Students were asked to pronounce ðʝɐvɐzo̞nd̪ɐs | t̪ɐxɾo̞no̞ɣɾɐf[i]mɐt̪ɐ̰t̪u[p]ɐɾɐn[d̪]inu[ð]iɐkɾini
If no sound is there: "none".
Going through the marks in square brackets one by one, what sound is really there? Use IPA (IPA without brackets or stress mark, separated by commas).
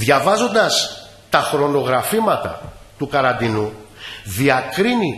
i, k, d̪, ð